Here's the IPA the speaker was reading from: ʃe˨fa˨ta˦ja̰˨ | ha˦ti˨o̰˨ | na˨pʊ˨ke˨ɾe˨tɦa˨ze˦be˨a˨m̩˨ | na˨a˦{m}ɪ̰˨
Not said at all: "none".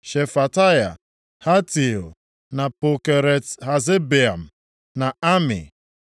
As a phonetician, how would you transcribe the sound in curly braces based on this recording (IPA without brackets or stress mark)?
m